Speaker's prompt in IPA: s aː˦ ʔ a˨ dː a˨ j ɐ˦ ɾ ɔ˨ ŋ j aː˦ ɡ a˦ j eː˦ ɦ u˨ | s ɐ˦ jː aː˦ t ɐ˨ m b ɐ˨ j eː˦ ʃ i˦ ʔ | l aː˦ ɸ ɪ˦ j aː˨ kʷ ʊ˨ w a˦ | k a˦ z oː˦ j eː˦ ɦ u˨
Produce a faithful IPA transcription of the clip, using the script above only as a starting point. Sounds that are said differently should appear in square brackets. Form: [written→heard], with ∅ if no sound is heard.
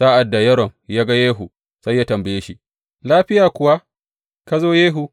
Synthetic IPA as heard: s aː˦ ʔ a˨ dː a˨ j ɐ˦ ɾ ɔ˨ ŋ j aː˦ ɡ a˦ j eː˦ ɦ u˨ | s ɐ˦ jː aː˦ t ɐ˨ m b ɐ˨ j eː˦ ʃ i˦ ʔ | l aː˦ ɸ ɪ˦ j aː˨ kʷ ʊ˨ w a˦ | k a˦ z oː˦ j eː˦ ɦ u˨